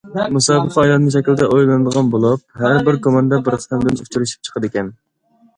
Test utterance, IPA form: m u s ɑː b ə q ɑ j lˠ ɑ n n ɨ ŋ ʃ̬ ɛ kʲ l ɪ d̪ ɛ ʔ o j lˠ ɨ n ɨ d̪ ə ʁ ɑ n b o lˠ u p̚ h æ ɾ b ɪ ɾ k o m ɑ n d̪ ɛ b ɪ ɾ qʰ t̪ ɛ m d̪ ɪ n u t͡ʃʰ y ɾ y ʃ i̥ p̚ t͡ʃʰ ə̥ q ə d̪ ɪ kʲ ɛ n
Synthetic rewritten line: m u s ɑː b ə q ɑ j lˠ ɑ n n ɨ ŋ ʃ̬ ɛ kʲ l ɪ d̪ ɛ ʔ o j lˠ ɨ n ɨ d̪ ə ʁ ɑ n b o lˠ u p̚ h æ ɾ b ɪ ɾ k o m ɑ n d̪ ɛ b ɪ ɾ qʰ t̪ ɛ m d̪ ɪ n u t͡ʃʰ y ɾ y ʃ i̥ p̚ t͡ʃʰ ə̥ q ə d̪ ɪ kʲ ɛ n